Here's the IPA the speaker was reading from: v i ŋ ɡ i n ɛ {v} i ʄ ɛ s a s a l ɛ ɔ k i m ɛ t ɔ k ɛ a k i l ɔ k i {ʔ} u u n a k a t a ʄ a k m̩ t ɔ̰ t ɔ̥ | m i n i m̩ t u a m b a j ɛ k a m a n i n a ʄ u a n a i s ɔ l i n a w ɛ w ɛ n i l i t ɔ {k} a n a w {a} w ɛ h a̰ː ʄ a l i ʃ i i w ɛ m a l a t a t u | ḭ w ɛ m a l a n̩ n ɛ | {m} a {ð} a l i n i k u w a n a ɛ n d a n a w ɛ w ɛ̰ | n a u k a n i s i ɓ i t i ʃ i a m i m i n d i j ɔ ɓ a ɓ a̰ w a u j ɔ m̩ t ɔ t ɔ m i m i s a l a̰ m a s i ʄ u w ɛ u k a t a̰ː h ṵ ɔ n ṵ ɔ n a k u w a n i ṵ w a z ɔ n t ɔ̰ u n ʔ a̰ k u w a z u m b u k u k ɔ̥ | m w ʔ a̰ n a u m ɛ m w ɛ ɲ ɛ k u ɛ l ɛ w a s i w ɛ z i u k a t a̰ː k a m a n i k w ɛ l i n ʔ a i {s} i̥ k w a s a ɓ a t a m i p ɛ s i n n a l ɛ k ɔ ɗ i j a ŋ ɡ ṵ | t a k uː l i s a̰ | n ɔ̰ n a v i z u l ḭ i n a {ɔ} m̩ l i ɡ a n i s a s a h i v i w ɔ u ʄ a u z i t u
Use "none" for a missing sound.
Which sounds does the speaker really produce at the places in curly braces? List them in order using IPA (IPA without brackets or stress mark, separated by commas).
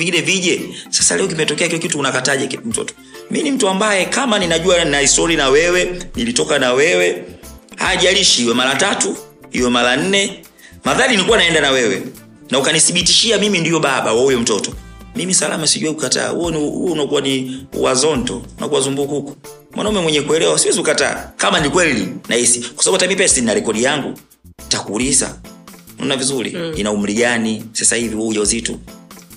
v, t, k, ɛ, m, ð, s, u